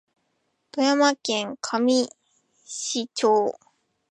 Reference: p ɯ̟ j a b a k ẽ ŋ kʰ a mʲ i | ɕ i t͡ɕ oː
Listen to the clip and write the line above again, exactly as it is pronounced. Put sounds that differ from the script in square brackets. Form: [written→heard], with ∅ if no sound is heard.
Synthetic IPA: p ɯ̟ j a [b→m] a k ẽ ŋ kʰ a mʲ i | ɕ i t͡ɕ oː